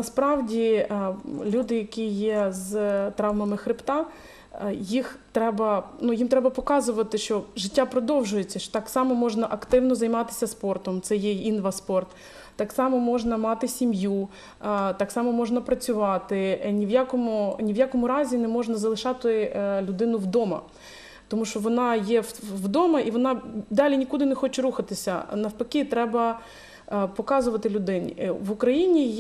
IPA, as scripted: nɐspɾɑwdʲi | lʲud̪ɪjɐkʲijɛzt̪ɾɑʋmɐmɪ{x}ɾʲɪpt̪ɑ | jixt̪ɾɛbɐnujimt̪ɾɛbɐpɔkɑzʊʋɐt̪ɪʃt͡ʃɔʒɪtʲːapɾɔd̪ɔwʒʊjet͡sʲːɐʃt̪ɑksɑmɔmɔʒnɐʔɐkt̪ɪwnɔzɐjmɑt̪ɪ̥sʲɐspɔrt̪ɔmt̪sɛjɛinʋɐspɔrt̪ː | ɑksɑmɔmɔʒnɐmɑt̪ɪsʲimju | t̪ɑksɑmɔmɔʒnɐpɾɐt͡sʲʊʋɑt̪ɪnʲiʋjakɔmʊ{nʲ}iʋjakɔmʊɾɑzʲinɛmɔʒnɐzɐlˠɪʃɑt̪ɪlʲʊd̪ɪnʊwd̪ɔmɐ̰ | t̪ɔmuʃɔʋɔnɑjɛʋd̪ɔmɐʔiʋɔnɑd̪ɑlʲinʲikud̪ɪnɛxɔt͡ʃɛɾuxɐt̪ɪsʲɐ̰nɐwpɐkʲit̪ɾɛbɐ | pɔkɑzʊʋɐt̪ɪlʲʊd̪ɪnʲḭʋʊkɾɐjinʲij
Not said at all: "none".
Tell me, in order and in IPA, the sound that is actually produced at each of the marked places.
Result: x, nʲ

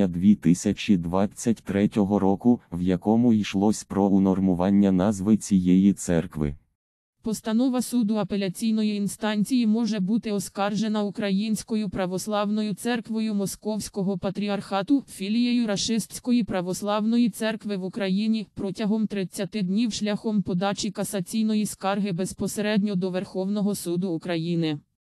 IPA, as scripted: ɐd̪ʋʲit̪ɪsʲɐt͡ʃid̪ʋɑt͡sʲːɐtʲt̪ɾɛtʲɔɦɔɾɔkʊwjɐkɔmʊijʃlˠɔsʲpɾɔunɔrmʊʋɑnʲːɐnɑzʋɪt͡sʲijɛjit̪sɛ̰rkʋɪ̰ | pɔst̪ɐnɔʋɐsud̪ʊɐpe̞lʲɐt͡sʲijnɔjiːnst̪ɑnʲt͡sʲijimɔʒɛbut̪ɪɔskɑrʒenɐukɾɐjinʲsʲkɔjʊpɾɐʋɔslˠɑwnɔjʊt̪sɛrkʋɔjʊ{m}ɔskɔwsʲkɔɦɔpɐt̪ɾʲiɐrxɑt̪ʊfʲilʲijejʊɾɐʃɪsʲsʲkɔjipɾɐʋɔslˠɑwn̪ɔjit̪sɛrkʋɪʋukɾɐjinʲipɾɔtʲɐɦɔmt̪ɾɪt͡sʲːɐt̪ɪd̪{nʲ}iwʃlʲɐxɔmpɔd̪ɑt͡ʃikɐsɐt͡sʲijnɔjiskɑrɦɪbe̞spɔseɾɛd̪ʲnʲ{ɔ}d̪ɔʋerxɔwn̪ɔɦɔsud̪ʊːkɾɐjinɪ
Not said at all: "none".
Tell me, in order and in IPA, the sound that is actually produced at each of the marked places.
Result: m, nʲ, ɔ

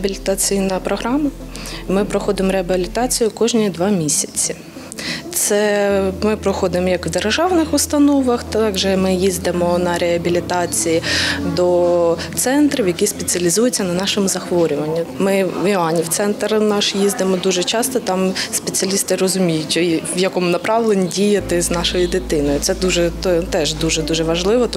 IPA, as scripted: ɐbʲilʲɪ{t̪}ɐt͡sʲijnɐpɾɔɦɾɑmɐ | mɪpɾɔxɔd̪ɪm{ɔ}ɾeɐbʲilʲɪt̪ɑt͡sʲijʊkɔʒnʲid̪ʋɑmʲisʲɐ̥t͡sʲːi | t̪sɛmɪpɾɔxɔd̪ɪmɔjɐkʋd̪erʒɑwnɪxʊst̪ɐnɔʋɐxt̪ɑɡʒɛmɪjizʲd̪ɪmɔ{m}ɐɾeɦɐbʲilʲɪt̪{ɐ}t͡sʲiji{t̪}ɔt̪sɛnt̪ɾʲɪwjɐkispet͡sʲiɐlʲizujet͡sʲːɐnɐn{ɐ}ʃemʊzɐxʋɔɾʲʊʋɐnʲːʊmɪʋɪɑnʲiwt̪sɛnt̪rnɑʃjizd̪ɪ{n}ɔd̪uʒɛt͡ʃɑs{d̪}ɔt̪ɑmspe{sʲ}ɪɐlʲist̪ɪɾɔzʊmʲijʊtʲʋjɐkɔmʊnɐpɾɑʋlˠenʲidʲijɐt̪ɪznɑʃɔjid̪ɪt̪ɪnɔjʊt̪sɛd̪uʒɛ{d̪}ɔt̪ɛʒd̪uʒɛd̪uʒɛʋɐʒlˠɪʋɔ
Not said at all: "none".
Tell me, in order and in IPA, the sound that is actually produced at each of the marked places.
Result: t̪, ɔ, n, ɑ, d̪, ɑ, m, t̪, t͡sʲ, t̪

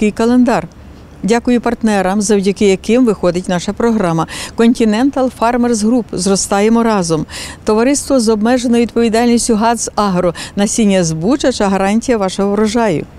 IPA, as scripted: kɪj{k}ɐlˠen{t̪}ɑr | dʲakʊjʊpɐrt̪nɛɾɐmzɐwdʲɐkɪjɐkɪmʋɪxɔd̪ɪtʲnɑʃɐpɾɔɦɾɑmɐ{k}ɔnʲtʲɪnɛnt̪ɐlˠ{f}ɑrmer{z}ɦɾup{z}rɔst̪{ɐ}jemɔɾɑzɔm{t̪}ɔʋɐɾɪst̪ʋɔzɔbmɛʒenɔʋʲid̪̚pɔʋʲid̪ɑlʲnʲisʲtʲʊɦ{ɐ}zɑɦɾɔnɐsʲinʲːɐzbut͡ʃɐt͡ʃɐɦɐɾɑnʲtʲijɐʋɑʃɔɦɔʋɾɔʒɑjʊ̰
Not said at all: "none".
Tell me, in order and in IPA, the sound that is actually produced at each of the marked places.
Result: k, d̪, k, f, z, z, ɑ, t̪, ɑ

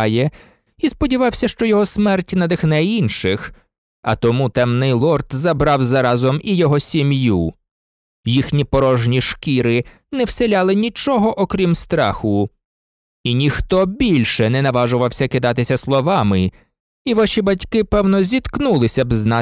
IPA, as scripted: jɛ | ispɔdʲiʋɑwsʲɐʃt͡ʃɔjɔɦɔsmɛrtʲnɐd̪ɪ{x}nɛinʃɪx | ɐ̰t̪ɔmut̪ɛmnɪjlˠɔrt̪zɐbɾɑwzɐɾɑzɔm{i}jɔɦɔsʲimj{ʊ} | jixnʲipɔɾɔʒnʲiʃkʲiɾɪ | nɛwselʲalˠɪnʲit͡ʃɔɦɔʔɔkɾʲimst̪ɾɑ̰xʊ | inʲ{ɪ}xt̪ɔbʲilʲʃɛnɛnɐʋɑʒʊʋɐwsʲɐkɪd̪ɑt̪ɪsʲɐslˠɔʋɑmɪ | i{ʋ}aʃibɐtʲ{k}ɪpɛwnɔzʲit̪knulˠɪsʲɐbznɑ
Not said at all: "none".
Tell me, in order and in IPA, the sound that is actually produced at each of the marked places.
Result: x, i, u, i, ʋ, k

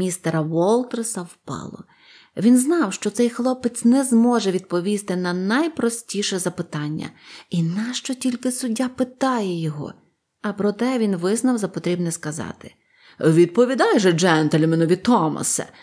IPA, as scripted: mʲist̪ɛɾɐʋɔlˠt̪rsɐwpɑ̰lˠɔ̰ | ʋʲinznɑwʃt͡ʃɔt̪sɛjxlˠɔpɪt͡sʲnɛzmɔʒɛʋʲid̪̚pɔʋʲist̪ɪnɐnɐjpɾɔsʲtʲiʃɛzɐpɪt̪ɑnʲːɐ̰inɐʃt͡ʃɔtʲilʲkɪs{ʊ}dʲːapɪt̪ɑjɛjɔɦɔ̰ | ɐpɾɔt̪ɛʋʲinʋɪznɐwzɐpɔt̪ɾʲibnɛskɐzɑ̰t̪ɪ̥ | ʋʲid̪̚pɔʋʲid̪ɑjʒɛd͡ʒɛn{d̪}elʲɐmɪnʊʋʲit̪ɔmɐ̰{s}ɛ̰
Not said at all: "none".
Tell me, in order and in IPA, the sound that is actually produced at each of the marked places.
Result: ʊ, t̪, s

